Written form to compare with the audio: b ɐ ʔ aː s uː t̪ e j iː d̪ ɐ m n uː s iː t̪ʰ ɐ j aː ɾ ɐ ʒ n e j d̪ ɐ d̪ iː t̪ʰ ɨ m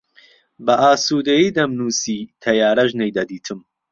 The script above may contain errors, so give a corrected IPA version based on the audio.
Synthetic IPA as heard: b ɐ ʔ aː s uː d̪ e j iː d̪ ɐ m n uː s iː t̪ʰ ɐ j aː ɾ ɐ ʒ n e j d̪ ɐ d̪ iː t̪ʰ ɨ m